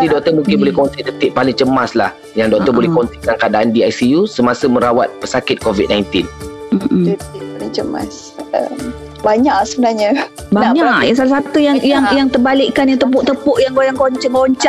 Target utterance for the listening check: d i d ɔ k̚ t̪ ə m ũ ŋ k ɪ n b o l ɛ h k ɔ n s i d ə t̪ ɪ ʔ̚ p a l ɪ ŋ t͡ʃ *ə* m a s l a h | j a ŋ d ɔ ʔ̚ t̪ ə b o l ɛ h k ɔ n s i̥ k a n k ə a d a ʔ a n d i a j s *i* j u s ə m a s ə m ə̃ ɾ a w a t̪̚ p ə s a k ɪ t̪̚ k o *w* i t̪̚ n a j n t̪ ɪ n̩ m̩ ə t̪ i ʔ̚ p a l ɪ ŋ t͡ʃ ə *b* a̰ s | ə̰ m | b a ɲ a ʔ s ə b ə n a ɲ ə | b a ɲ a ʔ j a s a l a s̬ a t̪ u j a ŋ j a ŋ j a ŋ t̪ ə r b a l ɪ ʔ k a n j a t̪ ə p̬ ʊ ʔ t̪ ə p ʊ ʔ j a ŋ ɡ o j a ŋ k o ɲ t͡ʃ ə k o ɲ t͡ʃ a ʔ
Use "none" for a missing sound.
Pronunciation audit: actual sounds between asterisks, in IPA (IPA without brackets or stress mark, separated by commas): ə, i, v, m